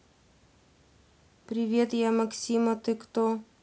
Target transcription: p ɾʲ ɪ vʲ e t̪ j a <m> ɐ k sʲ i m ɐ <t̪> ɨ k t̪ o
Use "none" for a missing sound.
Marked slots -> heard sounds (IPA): m, t̪

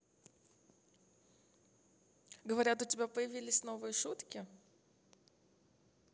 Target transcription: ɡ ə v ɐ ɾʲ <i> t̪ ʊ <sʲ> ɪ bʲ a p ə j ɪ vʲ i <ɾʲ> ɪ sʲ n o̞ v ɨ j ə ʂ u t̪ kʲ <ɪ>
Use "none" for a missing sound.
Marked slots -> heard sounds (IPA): a, tʲ, lʲ, ɪ

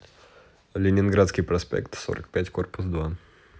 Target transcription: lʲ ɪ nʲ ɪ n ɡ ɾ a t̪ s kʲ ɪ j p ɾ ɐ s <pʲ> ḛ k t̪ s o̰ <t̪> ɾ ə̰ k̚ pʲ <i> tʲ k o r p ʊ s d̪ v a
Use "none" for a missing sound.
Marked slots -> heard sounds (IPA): pʲ, none, æ

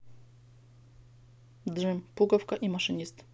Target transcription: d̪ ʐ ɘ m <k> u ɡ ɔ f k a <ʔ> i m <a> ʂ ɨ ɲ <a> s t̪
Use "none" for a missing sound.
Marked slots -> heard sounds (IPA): p, ʔ, a, i

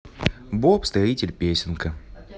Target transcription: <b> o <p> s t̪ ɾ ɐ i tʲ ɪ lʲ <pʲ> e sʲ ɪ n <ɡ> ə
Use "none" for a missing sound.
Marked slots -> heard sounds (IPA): b, p, pʲ, k

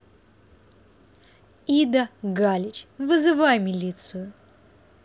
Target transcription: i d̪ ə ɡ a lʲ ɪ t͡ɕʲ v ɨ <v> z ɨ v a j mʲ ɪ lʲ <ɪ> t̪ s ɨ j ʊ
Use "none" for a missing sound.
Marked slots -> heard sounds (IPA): none, i

